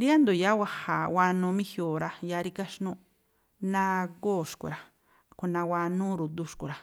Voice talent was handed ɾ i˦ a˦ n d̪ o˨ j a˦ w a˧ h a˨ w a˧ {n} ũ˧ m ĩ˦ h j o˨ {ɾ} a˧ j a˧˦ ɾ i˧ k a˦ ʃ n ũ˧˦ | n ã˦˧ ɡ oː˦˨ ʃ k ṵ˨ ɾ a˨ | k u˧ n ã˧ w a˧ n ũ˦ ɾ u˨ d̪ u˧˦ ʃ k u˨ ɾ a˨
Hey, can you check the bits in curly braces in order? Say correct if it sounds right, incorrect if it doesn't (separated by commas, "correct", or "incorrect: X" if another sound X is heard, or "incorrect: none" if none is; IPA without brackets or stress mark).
correct, correct